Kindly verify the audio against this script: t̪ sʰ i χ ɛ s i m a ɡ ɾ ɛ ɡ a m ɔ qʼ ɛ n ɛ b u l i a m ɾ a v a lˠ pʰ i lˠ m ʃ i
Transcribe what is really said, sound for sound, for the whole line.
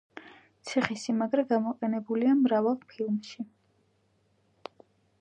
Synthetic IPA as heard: t̪ sʰ i χ i s i m a ɡ ɾ ɛ ɡ a m ɔ qʼ ɛ n ɛ b u l i a m ɾ a v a lˠ pʰ i lˠ m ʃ i